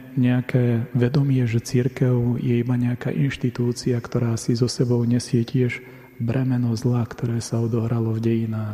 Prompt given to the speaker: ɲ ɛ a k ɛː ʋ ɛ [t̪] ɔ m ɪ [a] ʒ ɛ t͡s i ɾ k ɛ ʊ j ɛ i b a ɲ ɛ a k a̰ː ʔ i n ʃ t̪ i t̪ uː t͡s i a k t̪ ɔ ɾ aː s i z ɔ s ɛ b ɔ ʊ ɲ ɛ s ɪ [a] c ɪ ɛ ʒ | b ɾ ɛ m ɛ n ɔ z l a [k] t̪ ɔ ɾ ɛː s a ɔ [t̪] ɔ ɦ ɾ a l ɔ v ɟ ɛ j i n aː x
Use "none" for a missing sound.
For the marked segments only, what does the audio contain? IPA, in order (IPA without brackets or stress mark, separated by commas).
d̪, ɛ, ɛ, k, d̪